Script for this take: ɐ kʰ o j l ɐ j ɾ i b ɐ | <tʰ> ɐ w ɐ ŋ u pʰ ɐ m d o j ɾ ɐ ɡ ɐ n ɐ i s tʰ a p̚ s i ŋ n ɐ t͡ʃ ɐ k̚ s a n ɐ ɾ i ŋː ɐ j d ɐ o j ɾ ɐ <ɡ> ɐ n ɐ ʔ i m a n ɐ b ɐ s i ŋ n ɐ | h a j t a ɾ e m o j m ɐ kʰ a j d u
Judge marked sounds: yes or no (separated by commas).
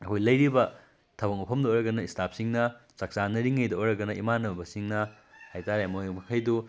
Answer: yes, yes